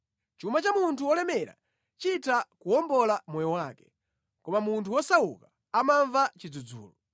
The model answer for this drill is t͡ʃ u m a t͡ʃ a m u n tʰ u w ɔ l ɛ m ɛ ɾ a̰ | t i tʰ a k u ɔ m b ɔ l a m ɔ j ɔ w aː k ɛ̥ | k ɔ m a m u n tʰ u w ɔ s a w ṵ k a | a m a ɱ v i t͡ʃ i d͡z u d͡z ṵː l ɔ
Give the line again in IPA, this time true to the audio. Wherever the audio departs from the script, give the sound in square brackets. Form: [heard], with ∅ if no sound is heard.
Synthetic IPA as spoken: t͡ʃ u m a t͡ʃ a m u n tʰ u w ɔ l ɛ m ɛ ɾ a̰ | [t͡ʃ] i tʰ a k u ɔ m b ɔ l a m ɔ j ɔ w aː k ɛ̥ | k ɔ m a m u n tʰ u w ɔ s a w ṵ k a | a m a ɱ v [a] t͡ʃ i d͡z u d͡z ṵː l ɔ

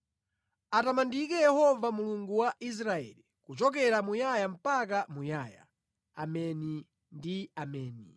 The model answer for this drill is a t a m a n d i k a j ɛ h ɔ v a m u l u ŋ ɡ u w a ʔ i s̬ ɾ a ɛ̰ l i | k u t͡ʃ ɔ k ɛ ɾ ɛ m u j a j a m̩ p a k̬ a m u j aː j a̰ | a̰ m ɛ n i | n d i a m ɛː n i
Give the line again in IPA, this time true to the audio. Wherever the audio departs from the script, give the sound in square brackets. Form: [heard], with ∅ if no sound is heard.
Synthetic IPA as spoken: a t a m a n d i k [ɛ] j ɛ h ɔ v a m u l u ŋ ɡ u w a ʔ i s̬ ɾ a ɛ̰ l i | k u t͡ʃ ɔ k ɛ ɾ [a] m u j a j a m̩ p a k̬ a m u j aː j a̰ | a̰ m ɛ n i | n d i a m ɛː n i

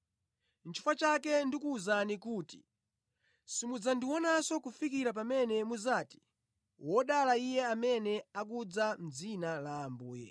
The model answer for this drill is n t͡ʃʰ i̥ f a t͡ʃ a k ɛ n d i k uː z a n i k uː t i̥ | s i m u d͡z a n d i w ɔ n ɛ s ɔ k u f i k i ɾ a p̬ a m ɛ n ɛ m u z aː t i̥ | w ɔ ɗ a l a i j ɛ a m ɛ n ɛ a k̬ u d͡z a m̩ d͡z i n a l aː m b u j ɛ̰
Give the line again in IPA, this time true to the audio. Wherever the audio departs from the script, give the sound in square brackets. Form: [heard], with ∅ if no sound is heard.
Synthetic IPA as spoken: n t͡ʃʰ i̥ f a t͡ʃ a k ɛ n d i k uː z a n i k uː t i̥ | s i m u d͡z a n d i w ɔ n [a] s ɔ k u f i k i ɾ a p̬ a m ɛ n ɛ m u z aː t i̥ | w ɔ ɗ a l a i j ɛ a m ɛ n ɛ a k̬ u d͡z a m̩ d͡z i n a l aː m b [uː] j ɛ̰

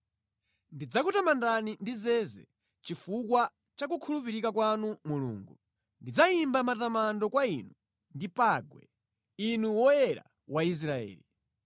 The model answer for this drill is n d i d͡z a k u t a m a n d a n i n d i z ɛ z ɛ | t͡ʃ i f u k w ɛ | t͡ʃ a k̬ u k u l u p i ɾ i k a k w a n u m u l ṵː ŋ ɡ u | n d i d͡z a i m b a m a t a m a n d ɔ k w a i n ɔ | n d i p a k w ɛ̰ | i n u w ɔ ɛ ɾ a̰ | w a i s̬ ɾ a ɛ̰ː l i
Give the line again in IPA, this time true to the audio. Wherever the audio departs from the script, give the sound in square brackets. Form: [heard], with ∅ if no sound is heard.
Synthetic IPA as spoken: n d i d͡z a k u t a m a n d a n i n d i z ɛ z ɛ | t͡ʃ i f u k w [a] | t͡ʃ a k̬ u [kʰ] u l u p i ɾ i k a k w a n u m u l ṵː ŋ ɡ u | n d i d͡z a i m b a m a t a m a n d ɔ k w a i n [u] | n d i p a [ɡ] w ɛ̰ | i n u w ɔ ɛ ɾ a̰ | w a i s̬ ɾ a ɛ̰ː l i

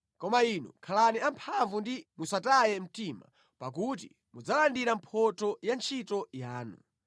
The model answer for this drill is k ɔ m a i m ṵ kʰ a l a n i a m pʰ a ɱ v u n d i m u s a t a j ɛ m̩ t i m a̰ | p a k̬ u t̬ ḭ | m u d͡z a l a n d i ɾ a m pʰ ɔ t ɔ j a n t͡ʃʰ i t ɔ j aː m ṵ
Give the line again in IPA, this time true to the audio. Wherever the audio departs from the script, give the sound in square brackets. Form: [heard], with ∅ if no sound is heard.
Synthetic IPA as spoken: k ɔ m a i [n] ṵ kʰ a l a n i a m pʰ a ɱ v u n d i m u s a t a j ɛ m̩ t i m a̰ | p a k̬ u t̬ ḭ | m u d͡z a l a n d i ɾ a m pʰ ɔ t ɔ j a n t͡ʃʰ i t ɔ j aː [n] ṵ

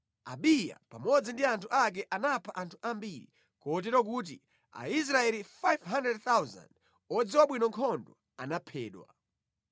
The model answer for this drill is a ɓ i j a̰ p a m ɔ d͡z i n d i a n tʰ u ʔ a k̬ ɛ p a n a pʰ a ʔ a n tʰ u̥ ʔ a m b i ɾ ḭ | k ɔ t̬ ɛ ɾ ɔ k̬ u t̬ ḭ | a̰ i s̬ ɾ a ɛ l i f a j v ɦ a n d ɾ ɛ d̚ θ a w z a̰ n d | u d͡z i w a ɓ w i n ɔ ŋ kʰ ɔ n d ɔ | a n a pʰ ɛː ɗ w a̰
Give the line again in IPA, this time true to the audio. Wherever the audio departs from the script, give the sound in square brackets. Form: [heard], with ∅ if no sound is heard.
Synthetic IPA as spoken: a ɓ i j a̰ p a m ɔ d͡z i n d i a n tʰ u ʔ a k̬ ɛ [ʔ] a n a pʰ a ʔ a n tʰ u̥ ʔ a m b i ɾ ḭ | k ɔ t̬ ɛ ɾ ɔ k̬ u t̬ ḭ | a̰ i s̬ ɾ a ɛ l i f a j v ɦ a n d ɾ ɛ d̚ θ a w z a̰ n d | [ɔ] d͡z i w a ɓ w i n ɔ ŋ kʰ ɔ n d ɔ | a n a pʰ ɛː ɗ w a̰

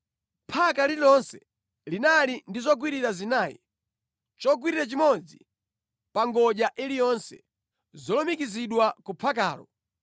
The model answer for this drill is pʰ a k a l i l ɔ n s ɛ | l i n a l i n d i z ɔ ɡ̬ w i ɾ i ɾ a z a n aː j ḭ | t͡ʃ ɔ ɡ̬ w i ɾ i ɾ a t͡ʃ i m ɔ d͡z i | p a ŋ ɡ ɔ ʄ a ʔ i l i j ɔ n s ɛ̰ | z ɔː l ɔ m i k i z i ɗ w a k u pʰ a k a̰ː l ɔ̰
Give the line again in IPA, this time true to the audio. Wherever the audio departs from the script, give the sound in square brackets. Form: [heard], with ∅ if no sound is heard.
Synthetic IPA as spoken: pʰ a k a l i l ɔ n s ɛ | l i n a l i n d i z ɔ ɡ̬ w i ɾ i ɾ a z [i] n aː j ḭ | t͡ʃ ɔ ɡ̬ w i ɾ i ɾ a t͡ʃ i m ɔ d͡z i | p a ŋ ɡ ɔ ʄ a ʔ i l i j ɔ n s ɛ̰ | z [ɔ] l ɔ m i k i z i ɗ w a k u pʰ a k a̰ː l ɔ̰

